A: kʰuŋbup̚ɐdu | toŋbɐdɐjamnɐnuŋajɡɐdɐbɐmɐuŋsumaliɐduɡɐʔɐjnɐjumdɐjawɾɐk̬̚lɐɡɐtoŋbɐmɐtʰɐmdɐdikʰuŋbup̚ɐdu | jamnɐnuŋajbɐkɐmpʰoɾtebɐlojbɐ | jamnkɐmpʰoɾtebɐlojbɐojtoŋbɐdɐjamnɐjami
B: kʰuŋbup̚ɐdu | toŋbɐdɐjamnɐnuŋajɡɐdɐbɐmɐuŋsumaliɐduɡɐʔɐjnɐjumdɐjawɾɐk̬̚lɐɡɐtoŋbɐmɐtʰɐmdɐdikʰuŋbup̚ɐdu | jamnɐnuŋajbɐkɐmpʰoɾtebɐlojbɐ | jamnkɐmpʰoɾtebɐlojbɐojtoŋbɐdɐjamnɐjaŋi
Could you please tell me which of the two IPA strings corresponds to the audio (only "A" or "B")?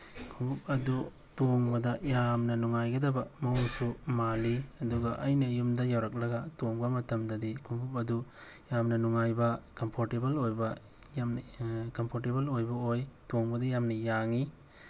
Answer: B